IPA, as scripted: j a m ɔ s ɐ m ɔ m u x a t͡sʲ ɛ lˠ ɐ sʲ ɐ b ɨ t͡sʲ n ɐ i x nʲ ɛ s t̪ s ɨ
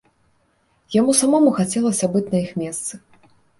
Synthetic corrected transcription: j a m u s a m ɔ m u x a t͡sʲ ɛ lˠ ɐ sʲ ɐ b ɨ t͡sʲ n ɐ i x mʲ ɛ s t̪ s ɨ